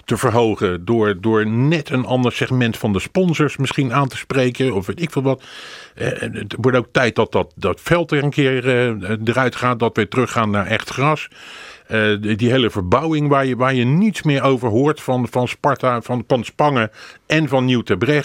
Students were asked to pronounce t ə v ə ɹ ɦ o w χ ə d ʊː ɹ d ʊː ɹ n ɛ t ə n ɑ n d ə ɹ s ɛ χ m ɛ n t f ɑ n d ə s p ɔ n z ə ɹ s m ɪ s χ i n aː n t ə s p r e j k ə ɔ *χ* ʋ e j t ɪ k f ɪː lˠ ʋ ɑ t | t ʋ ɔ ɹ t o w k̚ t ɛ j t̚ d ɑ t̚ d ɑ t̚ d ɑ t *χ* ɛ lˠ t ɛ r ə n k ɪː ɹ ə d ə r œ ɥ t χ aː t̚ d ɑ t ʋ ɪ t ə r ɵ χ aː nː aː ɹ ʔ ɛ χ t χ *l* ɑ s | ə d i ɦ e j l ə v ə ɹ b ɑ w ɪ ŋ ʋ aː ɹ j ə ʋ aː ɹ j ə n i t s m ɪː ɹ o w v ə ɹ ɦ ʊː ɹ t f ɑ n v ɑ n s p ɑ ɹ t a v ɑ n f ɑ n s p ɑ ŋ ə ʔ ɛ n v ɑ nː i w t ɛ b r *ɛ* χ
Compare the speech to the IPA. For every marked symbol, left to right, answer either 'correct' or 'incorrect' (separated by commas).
incorrect, incorrect, incorrect, correct